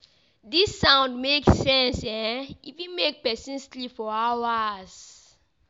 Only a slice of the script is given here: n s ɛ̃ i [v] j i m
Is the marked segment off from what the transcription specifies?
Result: yes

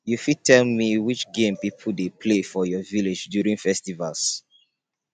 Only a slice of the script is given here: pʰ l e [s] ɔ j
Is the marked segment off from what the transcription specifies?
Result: yes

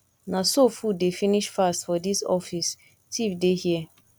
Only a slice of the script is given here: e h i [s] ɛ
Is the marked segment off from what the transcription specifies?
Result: yes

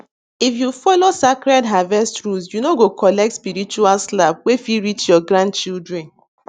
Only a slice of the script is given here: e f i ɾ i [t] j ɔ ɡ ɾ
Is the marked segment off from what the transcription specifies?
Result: yes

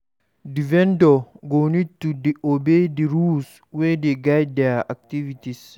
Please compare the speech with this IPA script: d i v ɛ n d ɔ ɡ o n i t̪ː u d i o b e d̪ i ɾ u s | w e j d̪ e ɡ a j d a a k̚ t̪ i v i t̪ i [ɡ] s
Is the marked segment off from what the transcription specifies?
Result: yes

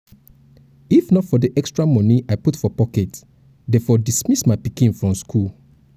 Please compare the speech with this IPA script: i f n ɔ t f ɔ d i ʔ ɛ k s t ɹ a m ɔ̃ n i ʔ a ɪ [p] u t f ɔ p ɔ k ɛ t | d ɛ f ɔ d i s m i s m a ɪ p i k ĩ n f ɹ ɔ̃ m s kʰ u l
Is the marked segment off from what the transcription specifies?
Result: no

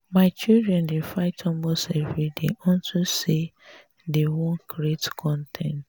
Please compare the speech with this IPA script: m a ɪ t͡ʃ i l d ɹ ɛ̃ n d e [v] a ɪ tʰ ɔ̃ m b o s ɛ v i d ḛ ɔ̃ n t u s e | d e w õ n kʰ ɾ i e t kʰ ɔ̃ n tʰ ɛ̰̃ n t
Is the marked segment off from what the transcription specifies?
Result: yes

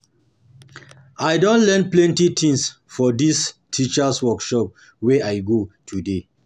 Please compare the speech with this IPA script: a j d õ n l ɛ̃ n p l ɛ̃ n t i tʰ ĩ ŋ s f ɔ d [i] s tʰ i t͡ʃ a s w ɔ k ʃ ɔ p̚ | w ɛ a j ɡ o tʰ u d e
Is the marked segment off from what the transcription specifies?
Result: no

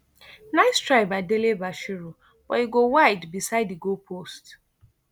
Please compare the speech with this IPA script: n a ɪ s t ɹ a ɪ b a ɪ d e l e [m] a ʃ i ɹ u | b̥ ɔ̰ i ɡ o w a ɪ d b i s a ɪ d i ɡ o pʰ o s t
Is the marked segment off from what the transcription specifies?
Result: yes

